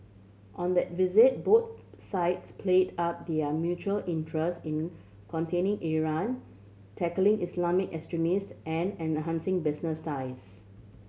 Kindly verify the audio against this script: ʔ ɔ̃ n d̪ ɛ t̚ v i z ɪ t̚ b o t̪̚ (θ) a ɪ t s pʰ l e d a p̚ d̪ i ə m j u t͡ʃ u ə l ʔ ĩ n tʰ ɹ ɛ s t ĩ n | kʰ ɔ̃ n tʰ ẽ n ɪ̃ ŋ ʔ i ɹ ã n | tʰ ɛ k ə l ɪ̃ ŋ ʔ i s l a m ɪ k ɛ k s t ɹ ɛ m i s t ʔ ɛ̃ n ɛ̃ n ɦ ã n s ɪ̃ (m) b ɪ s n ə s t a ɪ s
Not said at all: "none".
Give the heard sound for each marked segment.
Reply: s, ŋ

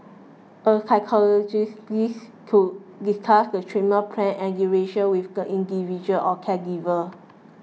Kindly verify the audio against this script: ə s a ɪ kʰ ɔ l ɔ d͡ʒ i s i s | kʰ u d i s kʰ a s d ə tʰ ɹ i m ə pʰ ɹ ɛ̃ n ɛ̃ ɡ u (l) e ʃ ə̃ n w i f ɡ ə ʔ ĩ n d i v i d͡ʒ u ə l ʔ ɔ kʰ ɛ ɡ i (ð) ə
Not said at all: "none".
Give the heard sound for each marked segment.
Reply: ɹ, v

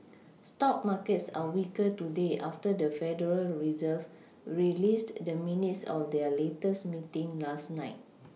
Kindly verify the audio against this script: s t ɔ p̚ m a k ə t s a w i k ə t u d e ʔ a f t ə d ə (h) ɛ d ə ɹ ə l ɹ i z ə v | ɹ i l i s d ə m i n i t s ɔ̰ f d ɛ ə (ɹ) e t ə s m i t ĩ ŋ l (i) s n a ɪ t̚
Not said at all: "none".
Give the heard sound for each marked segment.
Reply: f, l, a

